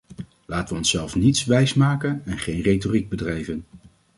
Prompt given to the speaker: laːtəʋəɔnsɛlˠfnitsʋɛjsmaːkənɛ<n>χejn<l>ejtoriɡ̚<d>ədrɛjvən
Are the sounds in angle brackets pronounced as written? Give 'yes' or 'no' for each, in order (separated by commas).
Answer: yes, no, no